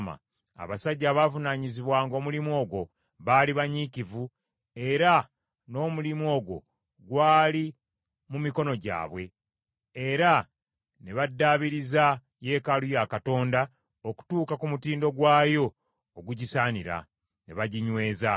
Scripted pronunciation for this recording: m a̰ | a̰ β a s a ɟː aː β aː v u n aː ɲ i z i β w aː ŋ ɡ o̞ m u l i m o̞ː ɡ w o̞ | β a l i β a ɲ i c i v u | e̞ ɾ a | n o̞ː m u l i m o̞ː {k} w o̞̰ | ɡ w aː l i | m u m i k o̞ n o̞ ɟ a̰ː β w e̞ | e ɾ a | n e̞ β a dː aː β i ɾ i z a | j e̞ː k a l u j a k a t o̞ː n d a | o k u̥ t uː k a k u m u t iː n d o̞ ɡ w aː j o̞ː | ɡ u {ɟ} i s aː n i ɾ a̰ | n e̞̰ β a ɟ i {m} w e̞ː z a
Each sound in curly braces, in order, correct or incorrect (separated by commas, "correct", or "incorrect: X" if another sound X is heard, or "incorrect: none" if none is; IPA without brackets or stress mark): incorrect: ɡ, correct, incorrect: ɲ